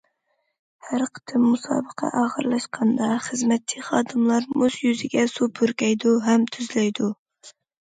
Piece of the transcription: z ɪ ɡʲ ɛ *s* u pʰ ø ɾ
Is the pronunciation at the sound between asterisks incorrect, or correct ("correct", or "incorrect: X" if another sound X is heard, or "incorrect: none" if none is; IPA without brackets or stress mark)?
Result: correct